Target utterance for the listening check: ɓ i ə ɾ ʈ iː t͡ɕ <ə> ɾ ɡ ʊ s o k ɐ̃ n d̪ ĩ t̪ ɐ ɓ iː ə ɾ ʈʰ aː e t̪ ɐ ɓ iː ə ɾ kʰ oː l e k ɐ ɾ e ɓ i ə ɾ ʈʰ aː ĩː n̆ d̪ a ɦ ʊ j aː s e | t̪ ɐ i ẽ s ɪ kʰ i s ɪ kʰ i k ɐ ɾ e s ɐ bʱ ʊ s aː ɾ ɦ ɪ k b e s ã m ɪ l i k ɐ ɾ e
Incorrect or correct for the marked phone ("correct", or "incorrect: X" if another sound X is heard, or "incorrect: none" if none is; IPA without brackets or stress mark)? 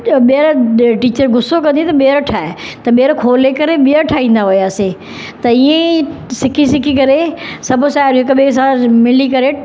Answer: correct